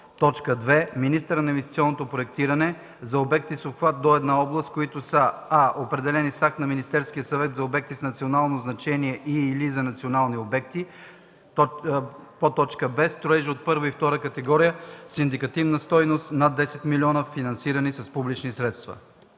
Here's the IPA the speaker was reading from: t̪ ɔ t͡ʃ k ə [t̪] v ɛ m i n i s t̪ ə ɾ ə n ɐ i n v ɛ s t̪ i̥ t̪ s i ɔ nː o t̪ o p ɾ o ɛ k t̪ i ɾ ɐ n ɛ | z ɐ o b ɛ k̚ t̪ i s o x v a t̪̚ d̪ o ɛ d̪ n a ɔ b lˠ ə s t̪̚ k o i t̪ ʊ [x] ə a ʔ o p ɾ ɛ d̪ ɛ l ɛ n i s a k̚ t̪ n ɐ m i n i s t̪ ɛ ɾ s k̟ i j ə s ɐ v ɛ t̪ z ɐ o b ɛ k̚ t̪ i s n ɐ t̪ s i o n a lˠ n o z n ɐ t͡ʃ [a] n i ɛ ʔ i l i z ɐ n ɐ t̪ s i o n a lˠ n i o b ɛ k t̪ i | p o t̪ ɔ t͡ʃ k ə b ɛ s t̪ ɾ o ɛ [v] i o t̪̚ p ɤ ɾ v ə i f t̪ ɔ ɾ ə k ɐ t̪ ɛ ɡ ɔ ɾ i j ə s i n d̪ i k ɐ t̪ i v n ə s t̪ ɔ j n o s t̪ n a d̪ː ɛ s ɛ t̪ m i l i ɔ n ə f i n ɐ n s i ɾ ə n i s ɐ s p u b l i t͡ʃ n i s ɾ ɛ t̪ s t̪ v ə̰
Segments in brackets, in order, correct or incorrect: incorrect: d̪, incorrect: s, incorrect: ɛ, incorrect: ʒ

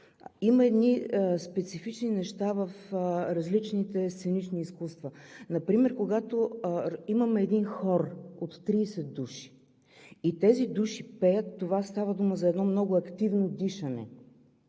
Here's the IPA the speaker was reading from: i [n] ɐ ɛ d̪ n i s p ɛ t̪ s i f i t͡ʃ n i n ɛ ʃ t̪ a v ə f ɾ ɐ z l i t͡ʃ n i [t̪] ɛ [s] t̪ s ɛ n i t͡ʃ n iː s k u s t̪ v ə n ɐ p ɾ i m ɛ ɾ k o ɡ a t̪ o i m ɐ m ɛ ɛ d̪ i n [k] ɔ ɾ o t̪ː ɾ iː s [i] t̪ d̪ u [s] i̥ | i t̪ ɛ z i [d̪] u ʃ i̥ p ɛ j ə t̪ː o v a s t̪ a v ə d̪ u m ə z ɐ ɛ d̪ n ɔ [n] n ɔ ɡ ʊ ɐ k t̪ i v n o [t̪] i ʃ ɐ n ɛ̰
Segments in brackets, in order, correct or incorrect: incorrect: m, correct, correct, incorrect: x, incorrect: ɛ, incorrect: ʃ, correct, incorrect: m, incorrect: d̪

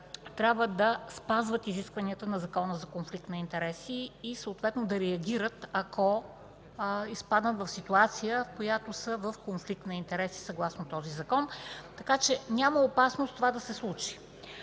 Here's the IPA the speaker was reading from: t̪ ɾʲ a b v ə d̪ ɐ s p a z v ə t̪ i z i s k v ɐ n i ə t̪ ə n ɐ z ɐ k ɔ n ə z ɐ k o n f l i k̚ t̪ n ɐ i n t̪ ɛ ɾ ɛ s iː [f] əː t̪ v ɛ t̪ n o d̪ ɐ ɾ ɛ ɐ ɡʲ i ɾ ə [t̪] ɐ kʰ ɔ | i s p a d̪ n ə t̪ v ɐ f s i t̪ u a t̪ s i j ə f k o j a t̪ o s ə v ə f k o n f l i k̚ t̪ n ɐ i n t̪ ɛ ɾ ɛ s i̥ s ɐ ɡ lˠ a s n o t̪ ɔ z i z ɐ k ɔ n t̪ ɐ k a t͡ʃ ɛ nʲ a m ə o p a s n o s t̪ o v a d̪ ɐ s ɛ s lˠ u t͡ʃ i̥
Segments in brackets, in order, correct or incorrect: incorrect: s, correct

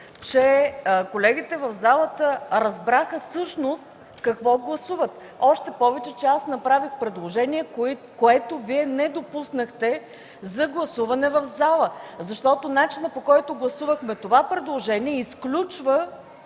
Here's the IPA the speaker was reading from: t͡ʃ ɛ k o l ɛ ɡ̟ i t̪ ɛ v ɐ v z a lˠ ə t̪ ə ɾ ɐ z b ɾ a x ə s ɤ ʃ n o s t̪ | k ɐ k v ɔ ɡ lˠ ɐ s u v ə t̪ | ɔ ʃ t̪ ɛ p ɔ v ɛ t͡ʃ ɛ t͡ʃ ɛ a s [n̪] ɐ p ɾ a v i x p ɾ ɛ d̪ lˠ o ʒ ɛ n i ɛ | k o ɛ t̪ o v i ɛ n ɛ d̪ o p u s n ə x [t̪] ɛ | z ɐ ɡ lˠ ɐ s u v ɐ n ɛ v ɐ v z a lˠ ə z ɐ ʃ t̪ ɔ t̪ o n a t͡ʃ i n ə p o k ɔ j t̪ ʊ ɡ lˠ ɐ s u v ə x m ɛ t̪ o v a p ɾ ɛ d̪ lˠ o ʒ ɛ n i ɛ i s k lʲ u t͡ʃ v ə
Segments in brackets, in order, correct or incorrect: correct, correct

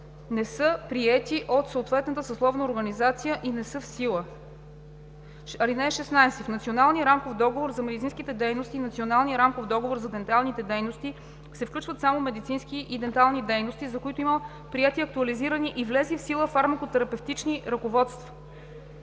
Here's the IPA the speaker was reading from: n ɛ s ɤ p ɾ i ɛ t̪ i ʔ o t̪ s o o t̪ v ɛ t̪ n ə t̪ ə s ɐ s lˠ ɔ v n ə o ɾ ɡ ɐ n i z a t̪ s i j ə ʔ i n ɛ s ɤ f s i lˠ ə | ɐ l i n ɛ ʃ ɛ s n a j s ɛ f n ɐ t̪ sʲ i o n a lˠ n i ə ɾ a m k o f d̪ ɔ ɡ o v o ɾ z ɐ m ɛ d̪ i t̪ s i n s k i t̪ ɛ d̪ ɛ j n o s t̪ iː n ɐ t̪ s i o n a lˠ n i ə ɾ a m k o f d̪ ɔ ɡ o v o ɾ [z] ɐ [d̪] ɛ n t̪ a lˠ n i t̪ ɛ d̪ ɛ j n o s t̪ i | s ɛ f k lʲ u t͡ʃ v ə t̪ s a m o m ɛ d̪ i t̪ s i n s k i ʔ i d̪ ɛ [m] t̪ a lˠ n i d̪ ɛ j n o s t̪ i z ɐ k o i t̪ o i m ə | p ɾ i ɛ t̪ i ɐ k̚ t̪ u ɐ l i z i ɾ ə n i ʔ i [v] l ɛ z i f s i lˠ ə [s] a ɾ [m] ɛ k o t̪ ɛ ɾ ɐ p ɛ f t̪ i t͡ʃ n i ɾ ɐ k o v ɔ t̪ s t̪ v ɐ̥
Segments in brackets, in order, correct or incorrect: correct, correct, incorrect: n, correct, incorrect: f, correct

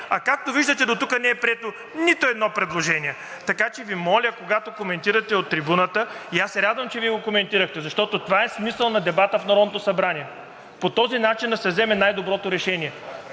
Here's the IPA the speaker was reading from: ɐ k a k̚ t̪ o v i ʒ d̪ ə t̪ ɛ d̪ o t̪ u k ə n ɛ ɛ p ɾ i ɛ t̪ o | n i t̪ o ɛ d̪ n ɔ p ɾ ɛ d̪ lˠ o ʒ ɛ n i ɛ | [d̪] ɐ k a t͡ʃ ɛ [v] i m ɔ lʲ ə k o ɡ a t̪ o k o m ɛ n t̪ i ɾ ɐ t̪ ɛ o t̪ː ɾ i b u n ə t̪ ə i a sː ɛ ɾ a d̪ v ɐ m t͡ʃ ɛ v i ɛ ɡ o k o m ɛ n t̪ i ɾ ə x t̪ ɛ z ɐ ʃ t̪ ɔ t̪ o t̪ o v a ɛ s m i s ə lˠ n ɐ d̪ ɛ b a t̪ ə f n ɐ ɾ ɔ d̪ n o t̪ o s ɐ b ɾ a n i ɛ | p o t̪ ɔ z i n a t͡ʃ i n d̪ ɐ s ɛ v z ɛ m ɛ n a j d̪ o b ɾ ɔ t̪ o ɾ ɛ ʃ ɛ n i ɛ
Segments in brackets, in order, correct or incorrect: incorrect: t̪, correct

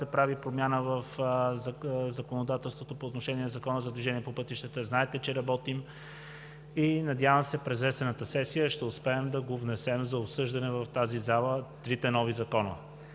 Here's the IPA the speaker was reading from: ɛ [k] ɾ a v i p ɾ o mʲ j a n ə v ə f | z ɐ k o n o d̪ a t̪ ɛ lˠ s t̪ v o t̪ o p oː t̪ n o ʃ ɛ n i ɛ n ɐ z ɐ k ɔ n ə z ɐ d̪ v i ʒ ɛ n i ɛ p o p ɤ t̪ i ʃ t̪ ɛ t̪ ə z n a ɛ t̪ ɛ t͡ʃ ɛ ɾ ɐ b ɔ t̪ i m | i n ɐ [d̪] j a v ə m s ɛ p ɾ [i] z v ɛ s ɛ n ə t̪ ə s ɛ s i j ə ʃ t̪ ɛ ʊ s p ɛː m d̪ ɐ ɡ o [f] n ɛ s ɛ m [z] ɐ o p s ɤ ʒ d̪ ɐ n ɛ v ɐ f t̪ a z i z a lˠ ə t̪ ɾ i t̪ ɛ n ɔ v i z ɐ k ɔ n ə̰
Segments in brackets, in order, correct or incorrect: incorrect: p, correct, incorrect: ɛ, incorrect: v, correct

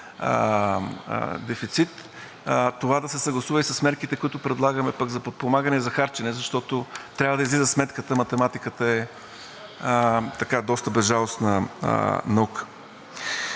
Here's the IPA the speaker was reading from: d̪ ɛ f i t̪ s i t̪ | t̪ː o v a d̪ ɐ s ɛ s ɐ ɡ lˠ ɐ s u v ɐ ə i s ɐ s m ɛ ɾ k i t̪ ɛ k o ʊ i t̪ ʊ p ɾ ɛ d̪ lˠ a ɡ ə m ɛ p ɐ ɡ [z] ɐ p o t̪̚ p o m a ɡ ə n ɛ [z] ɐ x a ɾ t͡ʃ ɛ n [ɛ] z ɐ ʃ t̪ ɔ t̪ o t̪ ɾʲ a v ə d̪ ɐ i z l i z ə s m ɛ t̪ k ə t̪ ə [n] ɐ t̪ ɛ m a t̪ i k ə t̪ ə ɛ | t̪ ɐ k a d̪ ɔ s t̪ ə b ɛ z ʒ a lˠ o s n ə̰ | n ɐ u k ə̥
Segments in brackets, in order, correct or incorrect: correct, correct, correct, incorrect: m

